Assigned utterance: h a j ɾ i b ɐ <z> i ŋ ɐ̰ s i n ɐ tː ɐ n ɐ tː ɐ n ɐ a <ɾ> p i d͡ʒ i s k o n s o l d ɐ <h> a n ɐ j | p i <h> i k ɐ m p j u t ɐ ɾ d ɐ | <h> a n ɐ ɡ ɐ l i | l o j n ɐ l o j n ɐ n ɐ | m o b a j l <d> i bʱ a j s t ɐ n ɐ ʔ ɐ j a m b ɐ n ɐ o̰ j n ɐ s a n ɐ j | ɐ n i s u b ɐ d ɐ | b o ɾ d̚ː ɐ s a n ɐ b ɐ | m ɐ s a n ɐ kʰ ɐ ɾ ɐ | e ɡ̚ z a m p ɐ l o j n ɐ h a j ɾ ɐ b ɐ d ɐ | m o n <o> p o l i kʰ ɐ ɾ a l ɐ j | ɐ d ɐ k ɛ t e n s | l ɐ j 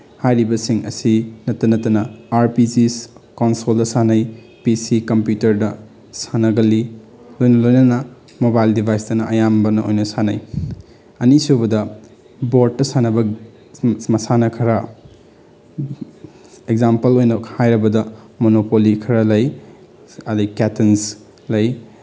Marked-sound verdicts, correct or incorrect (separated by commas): incorrect, correct, incorrect, incorrect, incorrect, correct, correct